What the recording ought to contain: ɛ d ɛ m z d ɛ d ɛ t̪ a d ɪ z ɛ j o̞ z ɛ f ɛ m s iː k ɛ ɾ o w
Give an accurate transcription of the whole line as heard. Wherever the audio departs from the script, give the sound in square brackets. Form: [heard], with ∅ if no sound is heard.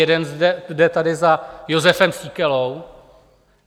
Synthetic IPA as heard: ɛ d ɛ [n] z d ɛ d ɛ t̪ a d ɪ z [a] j o̞ z ɛ f ɛ m s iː k ɛ [l] o w